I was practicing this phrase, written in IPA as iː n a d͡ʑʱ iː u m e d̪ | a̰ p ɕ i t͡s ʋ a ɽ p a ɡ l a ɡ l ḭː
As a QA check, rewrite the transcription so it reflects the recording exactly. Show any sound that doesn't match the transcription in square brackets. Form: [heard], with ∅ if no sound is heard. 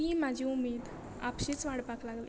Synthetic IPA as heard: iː [m] a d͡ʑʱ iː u m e d̪ | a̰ p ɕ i t͡s ʋ a ɽ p a [k] l a ɡ l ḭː